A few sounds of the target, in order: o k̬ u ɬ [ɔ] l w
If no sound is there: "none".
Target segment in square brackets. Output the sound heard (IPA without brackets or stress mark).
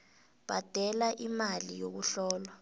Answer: ɔː